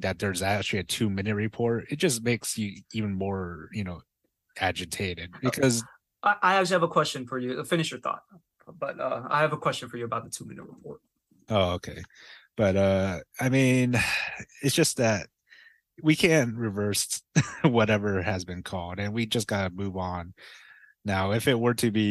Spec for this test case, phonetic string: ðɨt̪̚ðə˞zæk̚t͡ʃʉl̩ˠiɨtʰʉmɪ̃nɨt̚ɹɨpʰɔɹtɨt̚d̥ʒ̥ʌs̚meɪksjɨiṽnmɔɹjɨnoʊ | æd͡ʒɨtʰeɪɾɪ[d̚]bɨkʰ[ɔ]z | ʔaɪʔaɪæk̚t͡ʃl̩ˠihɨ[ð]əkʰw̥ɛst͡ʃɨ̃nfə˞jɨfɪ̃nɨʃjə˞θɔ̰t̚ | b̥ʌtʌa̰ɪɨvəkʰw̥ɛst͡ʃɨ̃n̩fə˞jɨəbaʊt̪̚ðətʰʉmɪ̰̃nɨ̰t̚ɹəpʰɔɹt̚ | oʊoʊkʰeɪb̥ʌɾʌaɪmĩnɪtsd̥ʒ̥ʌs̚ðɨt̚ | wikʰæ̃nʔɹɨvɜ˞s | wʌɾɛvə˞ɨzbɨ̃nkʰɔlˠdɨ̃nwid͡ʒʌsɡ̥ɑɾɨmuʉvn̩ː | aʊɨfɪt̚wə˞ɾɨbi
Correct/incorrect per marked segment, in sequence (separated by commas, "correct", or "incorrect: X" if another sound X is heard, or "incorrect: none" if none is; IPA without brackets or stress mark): correct, incorrect: ʌ, incorrect: v